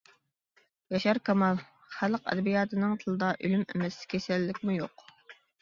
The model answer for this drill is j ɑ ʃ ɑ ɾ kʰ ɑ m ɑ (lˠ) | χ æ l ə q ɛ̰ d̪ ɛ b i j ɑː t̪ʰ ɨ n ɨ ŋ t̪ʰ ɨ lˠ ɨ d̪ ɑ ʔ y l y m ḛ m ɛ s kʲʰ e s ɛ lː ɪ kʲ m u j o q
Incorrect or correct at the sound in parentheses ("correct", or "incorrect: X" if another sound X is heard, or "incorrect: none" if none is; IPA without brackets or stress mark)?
correct